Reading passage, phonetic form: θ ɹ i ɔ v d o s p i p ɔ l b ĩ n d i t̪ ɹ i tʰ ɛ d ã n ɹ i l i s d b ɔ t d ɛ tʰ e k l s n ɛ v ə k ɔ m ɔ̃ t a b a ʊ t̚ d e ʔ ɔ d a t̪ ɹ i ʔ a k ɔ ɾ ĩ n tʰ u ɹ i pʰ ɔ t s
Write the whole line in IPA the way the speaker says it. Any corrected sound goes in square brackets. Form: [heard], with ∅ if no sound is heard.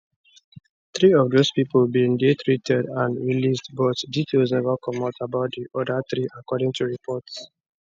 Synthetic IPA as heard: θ ɹ i ɔ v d o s p i p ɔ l b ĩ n d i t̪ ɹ i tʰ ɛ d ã n ɹ i l i s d b ɔ t d [i] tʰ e [∅] l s n ɛ v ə k ɔ m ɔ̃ t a b a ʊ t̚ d [i] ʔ ɔ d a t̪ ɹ i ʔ a k ɔ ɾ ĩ [ŋ] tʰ u ɹ i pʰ ɔ t s